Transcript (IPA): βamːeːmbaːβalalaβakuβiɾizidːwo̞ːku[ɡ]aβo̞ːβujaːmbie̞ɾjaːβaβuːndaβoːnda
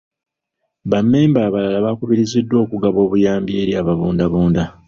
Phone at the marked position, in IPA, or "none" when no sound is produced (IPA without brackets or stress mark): ɡ